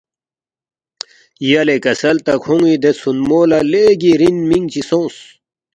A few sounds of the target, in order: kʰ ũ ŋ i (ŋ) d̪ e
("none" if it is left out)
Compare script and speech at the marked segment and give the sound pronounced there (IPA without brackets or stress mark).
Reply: none